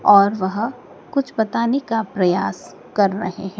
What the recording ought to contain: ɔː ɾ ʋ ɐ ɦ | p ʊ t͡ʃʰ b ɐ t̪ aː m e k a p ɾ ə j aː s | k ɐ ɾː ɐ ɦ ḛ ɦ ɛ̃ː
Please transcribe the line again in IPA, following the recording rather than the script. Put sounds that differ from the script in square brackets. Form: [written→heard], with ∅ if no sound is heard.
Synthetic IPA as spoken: ɔː ɾ ʋ ɐ ɦ | [p→k] ʊ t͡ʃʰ b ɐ t̪ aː [m→n] e k a p ɾ [ə→ɐ] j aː s | k ɐ ɾː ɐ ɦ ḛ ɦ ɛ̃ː